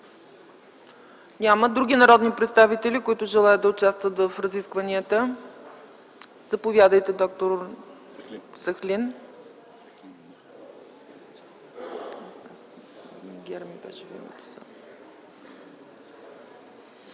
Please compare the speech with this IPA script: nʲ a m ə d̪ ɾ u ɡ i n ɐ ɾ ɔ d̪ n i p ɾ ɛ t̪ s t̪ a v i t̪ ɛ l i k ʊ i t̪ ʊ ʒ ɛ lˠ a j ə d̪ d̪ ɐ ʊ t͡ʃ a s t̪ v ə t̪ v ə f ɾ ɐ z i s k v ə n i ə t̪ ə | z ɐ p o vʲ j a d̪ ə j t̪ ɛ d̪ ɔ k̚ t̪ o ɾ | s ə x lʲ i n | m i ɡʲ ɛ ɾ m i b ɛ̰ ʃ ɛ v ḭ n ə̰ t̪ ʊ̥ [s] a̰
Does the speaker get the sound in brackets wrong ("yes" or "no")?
no